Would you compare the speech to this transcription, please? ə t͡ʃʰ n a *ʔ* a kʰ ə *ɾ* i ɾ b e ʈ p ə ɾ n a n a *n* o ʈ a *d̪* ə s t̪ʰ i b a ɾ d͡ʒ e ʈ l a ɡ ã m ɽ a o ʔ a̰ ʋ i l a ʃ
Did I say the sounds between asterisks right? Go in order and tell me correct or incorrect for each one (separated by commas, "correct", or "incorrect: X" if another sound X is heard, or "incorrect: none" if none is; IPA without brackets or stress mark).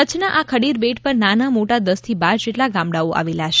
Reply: correct, incorrect: ɽ, incorrect: m, correct